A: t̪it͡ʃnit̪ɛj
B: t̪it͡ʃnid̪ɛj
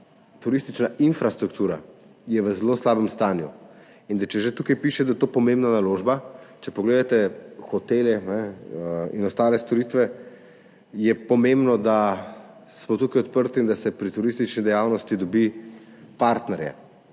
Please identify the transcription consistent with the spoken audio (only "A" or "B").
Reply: B